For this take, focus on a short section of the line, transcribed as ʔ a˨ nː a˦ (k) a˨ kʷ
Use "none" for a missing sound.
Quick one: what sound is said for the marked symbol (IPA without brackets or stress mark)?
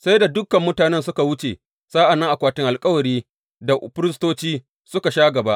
ʔ